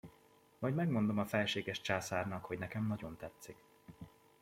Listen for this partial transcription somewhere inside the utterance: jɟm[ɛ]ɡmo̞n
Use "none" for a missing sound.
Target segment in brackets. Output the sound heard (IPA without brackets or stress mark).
ɛ